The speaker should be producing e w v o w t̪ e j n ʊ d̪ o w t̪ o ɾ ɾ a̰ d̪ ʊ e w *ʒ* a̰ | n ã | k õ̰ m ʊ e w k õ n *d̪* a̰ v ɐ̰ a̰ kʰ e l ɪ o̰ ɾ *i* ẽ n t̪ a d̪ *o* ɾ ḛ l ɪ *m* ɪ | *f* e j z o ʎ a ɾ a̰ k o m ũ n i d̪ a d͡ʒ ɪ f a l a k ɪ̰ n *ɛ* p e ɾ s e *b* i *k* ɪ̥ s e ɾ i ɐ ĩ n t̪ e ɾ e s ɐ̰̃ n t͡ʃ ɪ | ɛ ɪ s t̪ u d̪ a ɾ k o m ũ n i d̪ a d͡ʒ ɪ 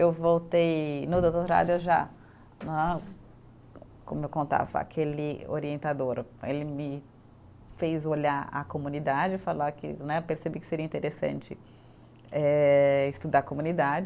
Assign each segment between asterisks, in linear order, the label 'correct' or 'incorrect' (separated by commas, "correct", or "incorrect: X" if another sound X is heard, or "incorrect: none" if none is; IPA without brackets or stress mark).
correct, incorrect: t̪, correct, correct, correct, correct, correct, correct, correct